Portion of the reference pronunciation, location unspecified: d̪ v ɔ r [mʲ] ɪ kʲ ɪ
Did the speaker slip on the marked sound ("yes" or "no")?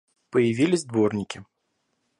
yes